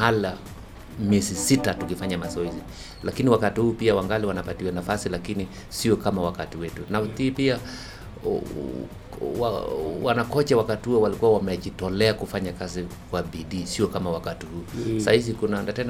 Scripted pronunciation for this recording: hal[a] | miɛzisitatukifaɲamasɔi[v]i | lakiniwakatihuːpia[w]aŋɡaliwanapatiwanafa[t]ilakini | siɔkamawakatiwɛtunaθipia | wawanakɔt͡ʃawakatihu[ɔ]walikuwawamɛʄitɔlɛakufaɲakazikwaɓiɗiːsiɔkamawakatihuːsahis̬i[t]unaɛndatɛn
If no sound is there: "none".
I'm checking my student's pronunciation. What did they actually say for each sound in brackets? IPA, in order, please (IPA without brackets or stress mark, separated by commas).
a, z, w, s, ɔ, k